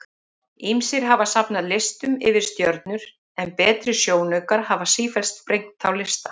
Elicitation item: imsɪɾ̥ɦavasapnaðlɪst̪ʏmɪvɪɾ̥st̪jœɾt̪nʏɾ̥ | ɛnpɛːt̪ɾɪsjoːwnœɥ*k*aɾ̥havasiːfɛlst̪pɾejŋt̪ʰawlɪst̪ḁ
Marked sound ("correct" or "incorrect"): correct